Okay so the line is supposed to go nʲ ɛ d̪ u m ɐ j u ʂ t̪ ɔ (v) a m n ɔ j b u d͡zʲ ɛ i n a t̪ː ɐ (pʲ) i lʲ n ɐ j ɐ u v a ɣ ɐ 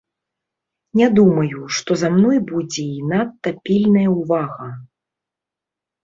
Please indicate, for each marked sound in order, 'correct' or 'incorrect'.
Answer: incorrect, correct

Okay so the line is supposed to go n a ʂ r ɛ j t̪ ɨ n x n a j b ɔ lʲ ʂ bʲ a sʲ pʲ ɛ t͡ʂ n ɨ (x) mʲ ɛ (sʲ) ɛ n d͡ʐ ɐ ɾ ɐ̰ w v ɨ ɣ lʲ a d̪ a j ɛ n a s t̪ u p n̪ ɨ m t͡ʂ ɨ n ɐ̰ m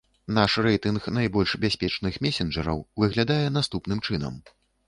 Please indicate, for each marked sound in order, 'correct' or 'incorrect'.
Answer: correct, correct

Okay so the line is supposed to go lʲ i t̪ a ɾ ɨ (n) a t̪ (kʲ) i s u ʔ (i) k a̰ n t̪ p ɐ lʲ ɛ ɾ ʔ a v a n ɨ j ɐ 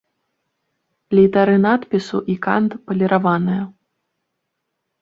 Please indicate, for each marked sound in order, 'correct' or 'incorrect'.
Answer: correct, incorrect, correct

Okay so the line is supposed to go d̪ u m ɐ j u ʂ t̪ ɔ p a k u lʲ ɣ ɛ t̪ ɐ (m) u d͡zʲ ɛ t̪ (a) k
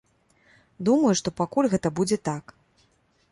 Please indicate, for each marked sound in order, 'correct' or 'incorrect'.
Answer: incorrect, correct

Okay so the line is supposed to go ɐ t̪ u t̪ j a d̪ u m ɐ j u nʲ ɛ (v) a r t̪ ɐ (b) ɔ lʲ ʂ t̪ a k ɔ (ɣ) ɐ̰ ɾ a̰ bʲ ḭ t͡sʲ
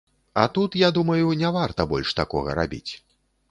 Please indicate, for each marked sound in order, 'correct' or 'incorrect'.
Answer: correct, correct, correct

